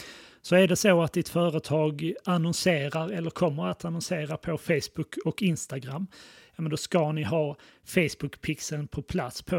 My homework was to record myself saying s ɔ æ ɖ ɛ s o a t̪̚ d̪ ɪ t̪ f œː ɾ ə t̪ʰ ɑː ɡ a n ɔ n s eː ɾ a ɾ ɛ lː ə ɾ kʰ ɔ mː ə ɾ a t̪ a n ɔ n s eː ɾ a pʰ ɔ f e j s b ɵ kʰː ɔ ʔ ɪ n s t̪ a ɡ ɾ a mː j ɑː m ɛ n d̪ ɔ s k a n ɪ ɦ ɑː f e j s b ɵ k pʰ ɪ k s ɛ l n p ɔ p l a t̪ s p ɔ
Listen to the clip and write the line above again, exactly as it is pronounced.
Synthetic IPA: s ɔ æ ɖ ɛ s o a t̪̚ d̪ ɪ t̪ f œː ɾ ə t̪ʰ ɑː ɡ a n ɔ n s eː ɾ a ɾ ɛ lː ə ɾ kʰ ɔ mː ə ɾ a t̪ a n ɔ n s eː ɾ a pʰ ɔ f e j s b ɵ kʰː ɔ k ɪ n s t̪ a ɡ ɾ a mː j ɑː m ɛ n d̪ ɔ s k a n ɪ ɦ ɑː f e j s b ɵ k pʰ ɪ k s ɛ l n pʰ ɔ pʰ l a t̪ s pʰ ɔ